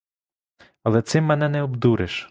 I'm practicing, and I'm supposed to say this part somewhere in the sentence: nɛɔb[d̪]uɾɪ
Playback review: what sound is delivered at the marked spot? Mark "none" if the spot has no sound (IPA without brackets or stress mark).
d̪